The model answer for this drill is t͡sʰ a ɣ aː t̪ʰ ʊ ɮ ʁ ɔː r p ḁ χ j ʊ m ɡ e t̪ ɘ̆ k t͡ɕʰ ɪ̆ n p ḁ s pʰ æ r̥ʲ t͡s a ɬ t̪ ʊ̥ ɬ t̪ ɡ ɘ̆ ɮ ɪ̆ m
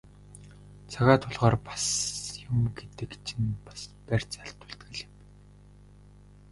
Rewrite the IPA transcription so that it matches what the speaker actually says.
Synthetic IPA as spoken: t͡sʰ a ɣ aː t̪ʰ ʊ ɮ ʁ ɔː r p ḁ s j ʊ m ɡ e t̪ ɘ̆ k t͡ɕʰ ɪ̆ n p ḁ s p æ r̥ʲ t͡s a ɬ t̪ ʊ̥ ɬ t̪ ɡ ɘ̆ ɮ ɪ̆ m

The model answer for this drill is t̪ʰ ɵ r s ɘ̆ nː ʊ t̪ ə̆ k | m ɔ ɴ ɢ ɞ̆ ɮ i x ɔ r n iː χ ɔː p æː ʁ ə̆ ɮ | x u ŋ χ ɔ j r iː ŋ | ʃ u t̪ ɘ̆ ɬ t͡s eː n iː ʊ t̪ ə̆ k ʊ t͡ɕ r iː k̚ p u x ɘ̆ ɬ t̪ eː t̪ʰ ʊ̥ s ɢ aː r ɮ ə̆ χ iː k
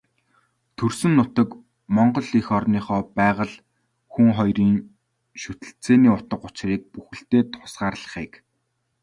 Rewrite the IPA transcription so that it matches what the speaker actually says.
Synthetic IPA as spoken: t̪ʰ ɵ r s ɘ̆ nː ʊ t̪ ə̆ k | m ɔ ɴ ɢ ɞ̆ ɮ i x ɔ r n iː χ ɔː p æː ʁ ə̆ ɮ | x u ŋ χ ɔ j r iː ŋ | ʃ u t̪ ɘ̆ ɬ t͡s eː n iː ʊ t̪ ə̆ q ʊ t͡ɕ r iː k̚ p u x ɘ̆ ɬ t̪ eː t̪ʰ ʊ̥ s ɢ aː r ɮ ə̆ χ iː k

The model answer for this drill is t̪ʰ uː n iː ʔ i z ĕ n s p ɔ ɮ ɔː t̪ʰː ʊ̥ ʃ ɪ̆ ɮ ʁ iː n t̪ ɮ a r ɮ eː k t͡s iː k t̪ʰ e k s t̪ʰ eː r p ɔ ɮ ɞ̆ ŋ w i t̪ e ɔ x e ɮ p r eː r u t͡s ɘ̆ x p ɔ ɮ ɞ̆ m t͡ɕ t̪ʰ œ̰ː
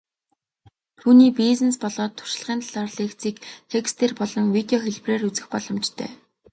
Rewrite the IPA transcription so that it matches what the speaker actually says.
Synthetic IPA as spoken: t̪ʰ uː n iː p i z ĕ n s p ɔ ɮ ɔː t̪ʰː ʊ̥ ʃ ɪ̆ ɮ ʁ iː n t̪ ɮ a r ɮ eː k t͡s iː k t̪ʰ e k s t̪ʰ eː r p ɔ ɮ ɞ̆ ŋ w i t̪ e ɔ x e ɮ p r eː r u t͡s ɘ̆ x p ɔ ɮ ɞ̆ m t͡ɕ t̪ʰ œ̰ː

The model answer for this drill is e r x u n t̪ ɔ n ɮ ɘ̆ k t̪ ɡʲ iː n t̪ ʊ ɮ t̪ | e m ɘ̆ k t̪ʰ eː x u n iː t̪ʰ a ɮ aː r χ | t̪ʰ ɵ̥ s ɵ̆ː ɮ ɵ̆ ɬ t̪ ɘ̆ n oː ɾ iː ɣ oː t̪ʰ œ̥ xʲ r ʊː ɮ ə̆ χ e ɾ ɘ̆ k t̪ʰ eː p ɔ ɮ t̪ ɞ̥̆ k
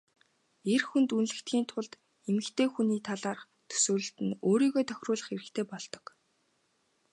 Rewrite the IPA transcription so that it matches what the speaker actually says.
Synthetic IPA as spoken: e r x u n t̪ u n ɮ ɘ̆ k t̪ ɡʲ iː n t̪ʰ ʊ ɮ t̪ | e m ɘ̆ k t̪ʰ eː x u n iː t̪ʰ a ɮ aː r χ | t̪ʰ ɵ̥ s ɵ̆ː ɮ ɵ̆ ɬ t̪ ɘ̆ n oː ɾ iː ɣ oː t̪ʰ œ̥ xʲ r ʊː ɮ ə̆ χ e ɾ ɘ̆ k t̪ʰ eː p ɔ ɮ t̪ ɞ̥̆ k

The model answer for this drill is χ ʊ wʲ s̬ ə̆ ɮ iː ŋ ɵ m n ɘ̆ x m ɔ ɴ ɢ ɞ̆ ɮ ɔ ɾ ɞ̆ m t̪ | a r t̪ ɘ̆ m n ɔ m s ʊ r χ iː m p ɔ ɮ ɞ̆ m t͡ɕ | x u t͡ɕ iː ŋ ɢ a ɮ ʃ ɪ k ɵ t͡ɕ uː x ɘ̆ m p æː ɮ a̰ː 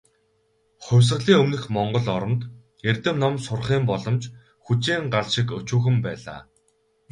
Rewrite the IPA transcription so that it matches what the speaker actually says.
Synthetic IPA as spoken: χ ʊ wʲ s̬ ə̆ ɮ iː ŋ ɵ m n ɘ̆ x m ɔ ɴ ɢ ɞ̆ ɮ ɔ ɾ ɞ̆ m t̪ | e r t̪ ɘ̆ m n ɔ m s ʊ r χ iː m p ɔ ɮ ɞ̆ m t͡ɕ | x u t͡ɕ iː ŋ ɢ a ɮ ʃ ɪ k ɵ t͡ɕ uː x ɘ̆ m p æː ɮ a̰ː

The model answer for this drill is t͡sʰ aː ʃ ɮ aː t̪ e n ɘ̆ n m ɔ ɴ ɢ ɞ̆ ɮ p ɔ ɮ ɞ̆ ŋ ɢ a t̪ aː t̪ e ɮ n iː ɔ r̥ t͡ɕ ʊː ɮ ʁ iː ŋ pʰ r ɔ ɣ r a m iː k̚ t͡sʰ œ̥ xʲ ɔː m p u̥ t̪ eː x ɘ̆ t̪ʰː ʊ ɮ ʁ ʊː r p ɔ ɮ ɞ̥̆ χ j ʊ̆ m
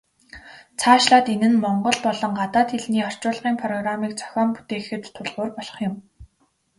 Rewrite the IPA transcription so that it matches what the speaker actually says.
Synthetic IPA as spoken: t͡sʰ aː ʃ ɮ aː t̪ e n ɘ̆ n m ɔ ɴ ɢ ɞ̆ ɮ p ɔ ɮ ɞ̆ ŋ ɢ a t̪ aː t̪ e ɮ n iː ɔ r̥ t͡ɕ ʊː ɮ ʁ iː ŋ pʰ r ɔ ɣ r a m iː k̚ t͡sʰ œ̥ xʲ ɔː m p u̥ t̪ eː x ɘ̆ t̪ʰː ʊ ɮ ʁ ʊː r p ɔ ɮ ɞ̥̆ χ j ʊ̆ m

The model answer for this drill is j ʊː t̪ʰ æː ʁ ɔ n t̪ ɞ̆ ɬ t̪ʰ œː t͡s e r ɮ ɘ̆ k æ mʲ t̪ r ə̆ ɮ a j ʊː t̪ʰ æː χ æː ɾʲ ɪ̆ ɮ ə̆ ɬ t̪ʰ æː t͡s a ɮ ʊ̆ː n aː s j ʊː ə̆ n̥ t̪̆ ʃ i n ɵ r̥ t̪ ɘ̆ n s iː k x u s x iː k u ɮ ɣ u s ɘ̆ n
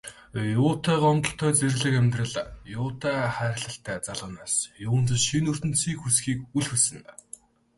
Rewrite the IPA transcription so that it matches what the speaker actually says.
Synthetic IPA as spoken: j ʊː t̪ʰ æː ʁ ɔ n t̪ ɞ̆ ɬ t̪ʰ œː t͡s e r ɮ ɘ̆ k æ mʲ t̪ r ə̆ ɮ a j ʊː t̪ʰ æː χ æː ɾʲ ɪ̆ ɮ ə̆ ɬ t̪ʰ æː t͡s a ɮ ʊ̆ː n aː s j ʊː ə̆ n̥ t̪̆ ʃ i n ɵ r̥ t̪ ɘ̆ n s iː k x u s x iː k u ɮ x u s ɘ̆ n

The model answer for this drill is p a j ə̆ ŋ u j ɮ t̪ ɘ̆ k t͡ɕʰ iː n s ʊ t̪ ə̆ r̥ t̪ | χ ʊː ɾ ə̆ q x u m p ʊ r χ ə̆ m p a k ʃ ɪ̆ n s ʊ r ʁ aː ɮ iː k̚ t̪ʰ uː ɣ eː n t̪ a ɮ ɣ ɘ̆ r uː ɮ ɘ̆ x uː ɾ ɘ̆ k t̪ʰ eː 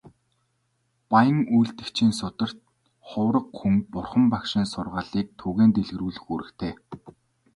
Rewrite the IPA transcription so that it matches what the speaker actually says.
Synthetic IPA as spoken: p a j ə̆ ŋ u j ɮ t̪ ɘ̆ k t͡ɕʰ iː n s ʊ t̪ ə̆ r̥ t̪ | χ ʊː ɾ ə̆ q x u ŋ p ʊ r χ ə̆ m p a k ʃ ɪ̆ n s ʊ r ʁ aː ɮ iː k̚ t̪ʰ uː ɣ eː n t̪ e ɮ ɣ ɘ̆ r uː ɮ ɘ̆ x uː ɾ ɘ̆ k t̪ʰ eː

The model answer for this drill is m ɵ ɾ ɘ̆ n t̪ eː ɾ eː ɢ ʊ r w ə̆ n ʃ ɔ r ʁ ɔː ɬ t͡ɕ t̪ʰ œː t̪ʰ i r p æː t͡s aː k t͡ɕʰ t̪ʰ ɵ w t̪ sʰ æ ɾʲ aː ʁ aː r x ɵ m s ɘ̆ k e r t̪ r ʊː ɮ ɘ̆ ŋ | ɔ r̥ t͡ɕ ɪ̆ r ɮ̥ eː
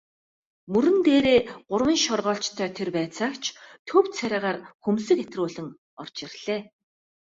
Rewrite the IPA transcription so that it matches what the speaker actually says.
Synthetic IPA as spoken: m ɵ ɾ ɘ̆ n t̪ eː ɾ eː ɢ ʊ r w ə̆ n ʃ ɔ r ʁ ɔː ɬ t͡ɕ t̪ʰ œː t̪ʰ e r p æː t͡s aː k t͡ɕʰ t̪ʰ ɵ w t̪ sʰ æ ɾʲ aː ʁ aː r x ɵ m s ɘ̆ k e t̪ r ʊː ɮ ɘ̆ ŋ | ɔ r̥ t͡ɕ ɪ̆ r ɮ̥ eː

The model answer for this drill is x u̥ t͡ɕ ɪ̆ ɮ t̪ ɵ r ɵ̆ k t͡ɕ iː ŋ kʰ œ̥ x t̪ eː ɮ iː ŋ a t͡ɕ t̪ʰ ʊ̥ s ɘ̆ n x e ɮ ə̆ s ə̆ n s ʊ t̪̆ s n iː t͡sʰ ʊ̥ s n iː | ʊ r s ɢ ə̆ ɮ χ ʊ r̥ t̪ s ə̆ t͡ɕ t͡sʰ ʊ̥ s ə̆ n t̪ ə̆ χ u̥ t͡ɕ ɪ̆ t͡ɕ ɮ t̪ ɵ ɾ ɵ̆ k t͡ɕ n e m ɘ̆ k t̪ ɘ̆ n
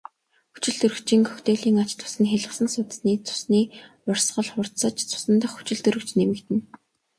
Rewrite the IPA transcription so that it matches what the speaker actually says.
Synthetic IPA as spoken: x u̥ t͡ɕ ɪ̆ ɮ t̪ ɵ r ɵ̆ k t͡ɕ iː ŋ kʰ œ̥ x t̪ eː ɮ iː ŋ a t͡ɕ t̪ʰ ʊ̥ s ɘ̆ n x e ɮ ə̆ s ə̆ n s ʊ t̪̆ s n iː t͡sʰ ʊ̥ s n iː | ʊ r s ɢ ə̆ ɮ χ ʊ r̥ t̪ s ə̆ t͡ɕ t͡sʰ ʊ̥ s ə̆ n t̪ ə̆ χ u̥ t͡ɕ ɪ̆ ɮ t̪ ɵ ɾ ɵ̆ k t͡ɕ n e m ɘ̆ k t̪ ɘ̆ n

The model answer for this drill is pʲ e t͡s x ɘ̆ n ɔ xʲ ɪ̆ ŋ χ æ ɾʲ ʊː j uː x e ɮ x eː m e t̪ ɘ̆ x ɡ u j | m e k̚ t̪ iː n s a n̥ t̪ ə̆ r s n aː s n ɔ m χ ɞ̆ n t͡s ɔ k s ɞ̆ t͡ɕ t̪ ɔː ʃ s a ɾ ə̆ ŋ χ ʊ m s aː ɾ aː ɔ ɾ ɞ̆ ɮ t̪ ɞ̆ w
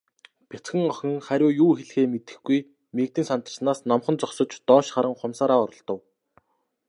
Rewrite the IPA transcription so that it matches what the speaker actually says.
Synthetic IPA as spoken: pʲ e t͡s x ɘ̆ ŋ ɔ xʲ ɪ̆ ŋ χ æ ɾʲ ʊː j uː x e ɮ x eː m e t̪ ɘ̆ x ɡ u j | m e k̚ t̪ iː n s a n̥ t̪ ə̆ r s n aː s n ɔ m χ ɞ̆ n t͡s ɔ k s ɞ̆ t͡ɕ t̪ ɔː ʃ χ a ɾ ə̆ ŋ χ ʊ m s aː ɾ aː ɔ ɾ ɞ̆ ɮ t̪ ɞ̆ w

